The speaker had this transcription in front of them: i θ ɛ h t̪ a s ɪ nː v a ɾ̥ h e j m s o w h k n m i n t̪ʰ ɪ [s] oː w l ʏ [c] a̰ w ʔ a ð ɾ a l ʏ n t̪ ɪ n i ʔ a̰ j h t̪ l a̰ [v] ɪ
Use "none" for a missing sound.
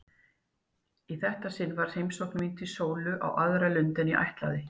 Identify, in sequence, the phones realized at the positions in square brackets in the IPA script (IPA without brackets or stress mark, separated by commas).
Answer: s, ʔ, ð